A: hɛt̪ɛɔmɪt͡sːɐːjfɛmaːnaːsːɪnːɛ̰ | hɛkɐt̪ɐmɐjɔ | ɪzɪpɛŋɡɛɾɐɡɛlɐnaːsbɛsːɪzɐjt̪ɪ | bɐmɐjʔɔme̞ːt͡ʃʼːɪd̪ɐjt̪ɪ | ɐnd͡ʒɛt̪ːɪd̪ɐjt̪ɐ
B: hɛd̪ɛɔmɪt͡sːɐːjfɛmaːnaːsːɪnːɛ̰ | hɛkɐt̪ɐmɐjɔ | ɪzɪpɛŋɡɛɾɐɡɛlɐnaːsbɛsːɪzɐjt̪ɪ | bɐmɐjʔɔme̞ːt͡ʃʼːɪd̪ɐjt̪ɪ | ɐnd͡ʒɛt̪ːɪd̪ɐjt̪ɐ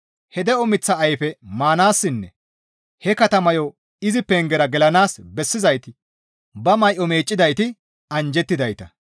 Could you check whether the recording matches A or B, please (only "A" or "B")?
B